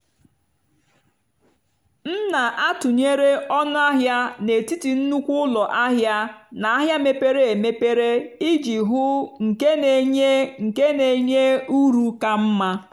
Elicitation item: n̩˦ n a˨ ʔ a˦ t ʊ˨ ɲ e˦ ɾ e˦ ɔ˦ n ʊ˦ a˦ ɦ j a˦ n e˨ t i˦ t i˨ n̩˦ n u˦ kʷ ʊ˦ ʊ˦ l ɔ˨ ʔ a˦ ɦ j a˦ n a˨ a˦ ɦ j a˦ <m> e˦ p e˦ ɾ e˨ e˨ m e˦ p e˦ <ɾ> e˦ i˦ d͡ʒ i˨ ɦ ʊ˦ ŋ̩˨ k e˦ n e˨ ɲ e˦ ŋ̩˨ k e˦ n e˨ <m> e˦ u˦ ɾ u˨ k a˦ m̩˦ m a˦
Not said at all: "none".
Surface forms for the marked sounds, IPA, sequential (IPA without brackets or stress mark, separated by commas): m, ɾ, ɲ